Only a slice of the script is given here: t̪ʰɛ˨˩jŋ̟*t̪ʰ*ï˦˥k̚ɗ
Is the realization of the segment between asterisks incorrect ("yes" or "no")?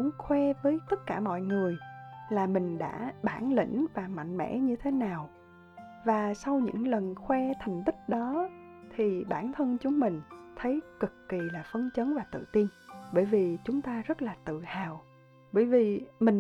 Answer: yes